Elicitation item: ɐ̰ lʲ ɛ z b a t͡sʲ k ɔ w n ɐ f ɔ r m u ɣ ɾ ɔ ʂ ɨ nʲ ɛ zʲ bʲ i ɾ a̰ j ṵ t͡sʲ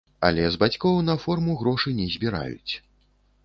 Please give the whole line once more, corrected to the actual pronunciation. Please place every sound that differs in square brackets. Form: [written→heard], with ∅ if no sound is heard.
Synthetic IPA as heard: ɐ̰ lʲ ɛ z b a t͡sʲ k ɔ w n ɐ f ɔ r m u ɣ ɾ ɔ ʂ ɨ nʲ ɛ zʲ bʲ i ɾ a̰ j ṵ t͡sʲ